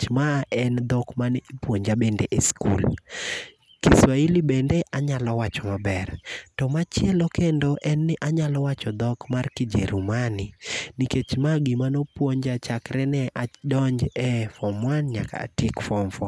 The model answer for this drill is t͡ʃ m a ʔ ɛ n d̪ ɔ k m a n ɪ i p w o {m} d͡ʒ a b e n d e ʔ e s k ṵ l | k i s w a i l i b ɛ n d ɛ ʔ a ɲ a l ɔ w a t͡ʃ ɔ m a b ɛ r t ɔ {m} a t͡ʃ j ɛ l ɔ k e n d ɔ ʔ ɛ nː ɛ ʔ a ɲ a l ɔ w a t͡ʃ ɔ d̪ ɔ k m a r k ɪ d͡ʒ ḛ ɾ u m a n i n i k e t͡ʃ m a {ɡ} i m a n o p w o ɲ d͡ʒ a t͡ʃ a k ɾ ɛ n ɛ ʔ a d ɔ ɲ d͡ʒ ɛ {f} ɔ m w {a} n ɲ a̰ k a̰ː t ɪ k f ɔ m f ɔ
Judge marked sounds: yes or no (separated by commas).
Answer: no, yes, yes, yes, yes